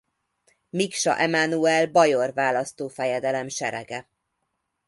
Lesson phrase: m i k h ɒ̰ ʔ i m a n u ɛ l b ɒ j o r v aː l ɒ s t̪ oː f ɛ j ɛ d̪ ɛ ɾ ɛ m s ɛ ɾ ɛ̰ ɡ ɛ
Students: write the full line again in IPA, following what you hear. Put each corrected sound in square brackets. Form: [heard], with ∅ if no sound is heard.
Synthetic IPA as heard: m i k [ʃ] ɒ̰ ʔ [ɛ] m a n u ɛ l b ɒ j o r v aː l ɒ s t̪ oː f ɛ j ɛ d̪ ɛ [l] ɛ m [ʃ] ɛ ɾ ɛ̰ ɡ ɛ